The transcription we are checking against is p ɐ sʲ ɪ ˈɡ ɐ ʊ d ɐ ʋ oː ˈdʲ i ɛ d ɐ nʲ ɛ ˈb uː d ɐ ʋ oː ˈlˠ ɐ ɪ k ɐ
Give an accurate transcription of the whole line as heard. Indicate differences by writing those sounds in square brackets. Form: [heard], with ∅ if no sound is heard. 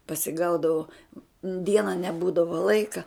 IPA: p ɐ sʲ ɪ ˈɡ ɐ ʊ d ɐ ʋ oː ˈdʲ i ɛ [n] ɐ nʲ ɛ ˈb uː d ɐ ʋ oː ˈlˠ ɐ ɪ k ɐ